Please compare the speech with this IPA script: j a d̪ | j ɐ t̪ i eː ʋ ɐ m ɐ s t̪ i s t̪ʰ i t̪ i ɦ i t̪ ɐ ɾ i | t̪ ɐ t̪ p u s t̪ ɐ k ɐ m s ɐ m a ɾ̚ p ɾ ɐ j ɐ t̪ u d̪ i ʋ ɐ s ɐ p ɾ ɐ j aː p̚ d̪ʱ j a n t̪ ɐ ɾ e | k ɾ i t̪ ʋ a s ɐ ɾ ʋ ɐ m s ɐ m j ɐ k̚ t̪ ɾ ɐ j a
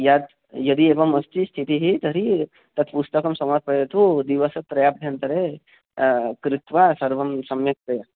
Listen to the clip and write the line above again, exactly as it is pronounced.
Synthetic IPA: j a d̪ | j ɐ d̪ i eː ʋ ɐ m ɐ s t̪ i s t̪ʰ i t̪ i ɦ i t̪ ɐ ɾ i | t̪ ɐ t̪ p u s t̪ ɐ k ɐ m s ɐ m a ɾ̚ p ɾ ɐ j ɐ t̪ u d̪ i ʋ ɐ s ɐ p ɾ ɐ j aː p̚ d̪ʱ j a n t̪ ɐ ɾ e | k ɾ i t̪ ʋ a s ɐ ɾ ʋ ɐ m s ɐ m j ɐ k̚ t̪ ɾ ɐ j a

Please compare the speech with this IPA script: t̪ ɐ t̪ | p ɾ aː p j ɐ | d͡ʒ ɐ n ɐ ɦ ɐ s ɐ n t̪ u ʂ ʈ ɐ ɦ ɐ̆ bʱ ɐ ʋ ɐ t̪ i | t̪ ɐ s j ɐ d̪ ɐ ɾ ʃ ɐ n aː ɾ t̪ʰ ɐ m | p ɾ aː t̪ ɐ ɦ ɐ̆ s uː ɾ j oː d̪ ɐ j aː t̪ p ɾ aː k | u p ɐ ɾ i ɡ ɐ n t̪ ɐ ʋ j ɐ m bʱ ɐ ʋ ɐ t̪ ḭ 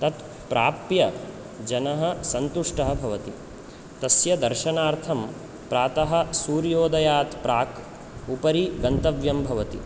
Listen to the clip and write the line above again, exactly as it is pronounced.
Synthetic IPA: t̪ ɐ t̪ | p ɾ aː p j ɐ | d͡ʒ ɐ n ɐ ɦ ɐ s ɐ n t̪ u ʂ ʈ ɐ ɦ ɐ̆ bʱ ɐ ʋ ɐ t̪ i | t̪ ɐ s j ɐ d̪ ɐ ɾ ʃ ɐ n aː ɾ t̪ʰ ɐ m | p ɾ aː t̪ ɐ ɦ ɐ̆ s uː ɾ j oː d̪ ɐ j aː t̪ p ɾ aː k | u p ɐ ɾ i ɡ ɐ n t̪ ɐ ʋ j ɐ m bʱ ɐ ʋ ɐ t̪ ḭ

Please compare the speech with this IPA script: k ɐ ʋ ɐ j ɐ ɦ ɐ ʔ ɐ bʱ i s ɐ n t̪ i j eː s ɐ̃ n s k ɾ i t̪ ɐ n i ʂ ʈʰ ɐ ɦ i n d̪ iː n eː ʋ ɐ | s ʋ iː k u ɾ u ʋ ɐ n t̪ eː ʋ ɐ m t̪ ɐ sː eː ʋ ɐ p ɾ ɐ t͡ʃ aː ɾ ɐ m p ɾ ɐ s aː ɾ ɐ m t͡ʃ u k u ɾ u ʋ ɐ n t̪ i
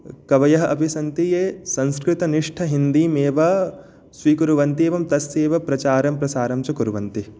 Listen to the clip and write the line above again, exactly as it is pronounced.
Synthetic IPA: k ɐ ʋ ɐ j ɐ ɦ ɐ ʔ ɐ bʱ i s ɐ n t̪ i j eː s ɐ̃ n s k ɾ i t̪ ɐ n i ʂ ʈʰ ɐ ɦ i n d̪ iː m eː ʋ ɐ | s ʋ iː k u ɾ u ʋ ɐ n t̪ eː ʋ ɐ m t̪ ɐ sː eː ʋ ɐ p ɾ ɐ t͡ʃ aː ɾ ɐ m p ɾ ɐ s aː ɾ ɐ m t͡ʃ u k u ɾ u ʋ ɐ n t̪ i

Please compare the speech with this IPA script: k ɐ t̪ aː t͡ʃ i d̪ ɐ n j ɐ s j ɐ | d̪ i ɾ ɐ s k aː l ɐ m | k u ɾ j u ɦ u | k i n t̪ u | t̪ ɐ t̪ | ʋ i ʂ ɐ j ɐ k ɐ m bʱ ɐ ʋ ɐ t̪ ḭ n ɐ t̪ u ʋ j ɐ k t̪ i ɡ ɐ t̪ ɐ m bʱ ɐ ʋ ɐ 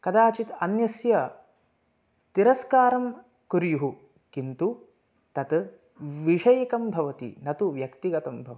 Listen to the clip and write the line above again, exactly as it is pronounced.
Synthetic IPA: k ɐ d̪ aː t͡ʃ i t̪ ɐ n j ɐ s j ɐ | t̪ i ɾ ɐ s k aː ɾ ɐ m | k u ɾ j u ɦ u | k i n t̪ u | t̪ ɐ t̪ | ʋ i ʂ ɐ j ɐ k ɐ m bʱ ɐ ʋ ɐ t̪ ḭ n ɐ t̪ u ʋ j ɐ k t̪ i ɡ ɐ t̪ ɐ m bʱ ɐ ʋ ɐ

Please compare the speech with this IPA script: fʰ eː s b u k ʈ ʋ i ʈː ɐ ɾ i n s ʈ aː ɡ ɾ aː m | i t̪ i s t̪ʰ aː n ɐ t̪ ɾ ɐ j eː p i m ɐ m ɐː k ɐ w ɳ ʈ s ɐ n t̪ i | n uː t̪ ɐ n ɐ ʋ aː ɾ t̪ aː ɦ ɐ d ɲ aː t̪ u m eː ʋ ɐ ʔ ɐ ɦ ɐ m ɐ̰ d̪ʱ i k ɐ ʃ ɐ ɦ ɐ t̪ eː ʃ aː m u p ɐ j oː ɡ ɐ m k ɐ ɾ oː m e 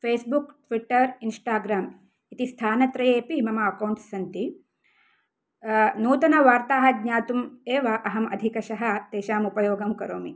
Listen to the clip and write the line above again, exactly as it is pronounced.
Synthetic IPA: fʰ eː s b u k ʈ ʋ i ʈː ɐ ɾ i n s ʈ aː ɡ ɾ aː m | i t̪ i s t̪ʰ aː n ɐ t̪ ɾ ɐ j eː p i m ɐ m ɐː k ɐ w ɳ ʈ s ɐ n t̪ i | n uː t̪ ɐ n ɐ ʋ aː ɾ t̪ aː ɦ ɐ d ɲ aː t̪ u m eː ʋ ɐ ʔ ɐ ɦ ɐ m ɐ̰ d̪ʱ i k ɐ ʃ ɐ ɦ ɐ t̪ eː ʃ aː m u p ɐ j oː ɡ ɐ m k ɐ ɾ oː m i

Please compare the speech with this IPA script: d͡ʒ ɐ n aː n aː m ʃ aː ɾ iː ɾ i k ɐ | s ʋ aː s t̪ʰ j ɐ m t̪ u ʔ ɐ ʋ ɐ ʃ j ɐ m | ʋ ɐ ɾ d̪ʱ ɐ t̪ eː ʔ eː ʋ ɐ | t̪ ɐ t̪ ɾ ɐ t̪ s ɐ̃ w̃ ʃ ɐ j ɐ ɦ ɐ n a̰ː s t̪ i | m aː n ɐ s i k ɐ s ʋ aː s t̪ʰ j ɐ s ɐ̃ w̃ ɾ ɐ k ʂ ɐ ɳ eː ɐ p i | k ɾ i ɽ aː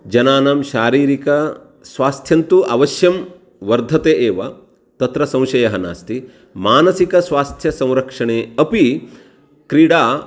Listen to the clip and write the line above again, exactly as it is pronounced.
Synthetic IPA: d͡ʒ ɐ n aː n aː m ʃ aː ɾ iː ɾ i k ɐ | s ʋ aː s t̪ʰ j ɐ n t̪ u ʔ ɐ ʋ ɐ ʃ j ɐ m | ʋ ɐ ɾ d̪ʱ ɐ t̪ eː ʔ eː ʋ ɐ | t̪ ɐ t̪ ɾ ɐ s ɐ̃ w̃ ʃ ɐ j ɐ ɦ ɐ n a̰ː s t̪ i | m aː n ɐ s i k ɐ s ʋ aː s t̪ʰ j ɐ s ɐ̃ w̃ ɾ ɐ k ʂ ɐ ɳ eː ɐ p i | k ɾ i ɽ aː

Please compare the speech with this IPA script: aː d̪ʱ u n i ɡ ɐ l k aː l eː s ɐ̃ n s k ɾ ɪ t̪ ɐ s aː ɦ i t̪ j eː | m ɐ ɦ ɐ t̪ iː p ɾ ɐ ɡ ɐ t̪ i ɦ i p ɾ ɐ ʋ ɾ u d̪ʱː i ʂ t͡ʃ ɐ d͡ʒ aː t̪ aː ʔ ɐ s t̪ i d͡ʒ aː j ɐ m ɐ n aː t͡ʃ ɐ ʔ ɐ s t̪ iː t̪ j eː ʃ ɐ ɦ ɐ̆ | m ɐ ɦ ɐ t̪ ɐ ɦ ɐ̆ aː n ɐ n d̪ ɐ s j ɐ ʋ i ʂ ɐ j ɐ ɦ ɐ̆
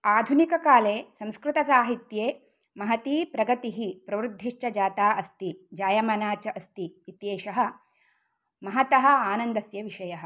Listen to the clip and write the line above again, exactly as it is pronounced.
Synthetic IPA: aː d̪ʱ u n i k ɐ k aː l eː s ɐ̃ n s k ɾ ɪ t̪ ɐ s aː ɦ i t̪ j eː | m ɐ ɦ ɐ t̪ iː p ɾ ɐ ɡ ɐ t̪ i ɦ i p ɾ ɐ ʋ ɾ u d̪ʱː i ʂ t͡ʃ ɐ d͡ʒ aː t̪ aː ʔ ɐ s t̪ i d͡ʒ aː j ɐ m ɐ n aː t͡ʃ ɐ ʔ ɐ s t̪ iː t̪ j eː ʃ ɐ ɦ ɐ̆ | m ɐ ɦ ɐ t̪ ɐ ɦ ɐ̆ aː n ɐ n d̪ ɐ s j ɐ ʋ i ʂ ɐ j ɐ ɦ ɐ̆

